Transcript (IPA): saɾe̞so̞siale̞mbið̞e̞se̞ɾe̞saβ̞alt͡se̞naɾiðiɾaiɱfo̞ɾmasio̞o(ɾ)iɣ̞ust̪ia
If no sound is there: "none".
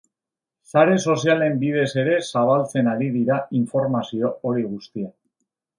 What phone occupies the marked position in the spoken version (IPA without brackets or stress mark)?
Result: ɾ